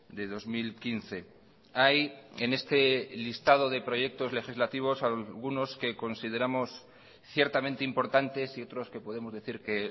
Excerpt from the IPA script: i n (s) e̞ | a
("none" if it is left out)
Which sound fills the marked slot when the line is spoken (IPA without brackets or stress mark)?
θ